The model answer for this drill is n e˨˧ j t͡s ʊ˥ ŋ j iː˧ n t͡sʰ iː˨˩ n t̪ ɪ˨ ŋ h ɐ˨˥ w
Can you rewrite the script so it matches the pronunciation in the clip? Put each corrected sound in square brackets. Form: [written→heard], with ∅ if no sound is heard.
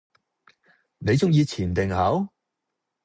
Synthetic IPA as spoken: n e˨˧ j t͡s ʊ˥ ŋ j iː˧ [n→∅] t͡sʰ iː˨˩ n t̪ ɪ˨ ŋ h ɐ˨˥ w